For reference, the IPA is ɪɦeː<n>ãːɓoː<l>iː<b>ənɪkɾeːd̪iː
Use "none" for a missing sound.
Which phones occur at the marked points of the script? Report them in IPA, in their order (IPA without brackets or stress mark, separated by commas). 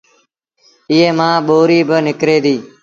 m, ɾ, b